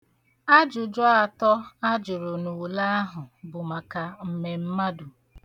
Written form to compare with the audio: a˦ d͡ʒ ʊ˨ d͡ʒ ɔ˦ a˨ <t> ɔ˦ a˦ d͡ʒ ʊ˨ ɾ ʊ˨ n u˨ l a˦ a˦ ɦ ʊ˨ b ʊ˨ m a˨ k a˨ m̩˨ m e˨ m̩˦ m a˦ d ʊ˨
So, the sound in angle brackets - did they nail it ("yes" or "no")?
yes